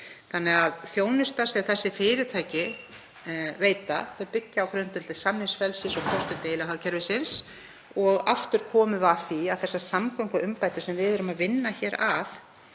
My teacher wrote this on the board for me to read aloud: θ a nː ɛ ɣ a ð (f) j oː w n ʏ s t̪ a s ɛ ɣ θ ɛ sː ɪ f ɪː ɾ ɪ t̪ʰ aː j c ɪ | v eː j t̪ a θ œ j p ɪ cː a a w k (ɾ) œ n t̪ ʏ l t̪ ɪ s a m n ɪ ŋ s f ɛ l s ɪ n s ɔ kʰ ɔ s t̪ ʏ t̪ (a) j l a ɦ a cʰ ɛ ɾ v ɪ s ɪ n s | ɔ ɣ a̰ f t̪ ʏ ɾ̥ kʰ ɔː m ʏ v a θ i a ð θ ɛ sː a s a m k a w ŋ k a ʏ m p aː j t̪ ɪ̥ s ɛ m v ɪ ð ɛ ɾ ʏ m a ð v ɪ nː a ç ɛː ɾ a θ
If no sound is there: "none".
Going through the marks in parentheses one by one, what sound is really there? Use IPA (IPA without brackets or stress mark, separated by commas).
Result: θ, ɾ, e